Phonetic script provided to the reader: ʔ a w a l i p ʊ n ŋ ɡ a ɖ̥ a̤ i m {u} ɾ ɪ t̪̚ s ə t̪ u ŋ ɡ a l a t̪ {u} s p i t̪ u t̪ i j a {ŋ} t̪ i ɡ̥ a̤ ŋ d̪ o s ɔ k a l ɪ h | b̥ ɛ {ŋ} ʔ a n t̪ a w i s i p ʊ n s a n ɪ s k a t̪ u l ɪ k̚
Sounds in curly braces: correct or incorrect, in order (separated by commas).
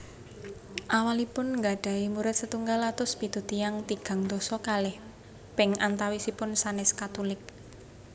correct, incorrect, correct, correct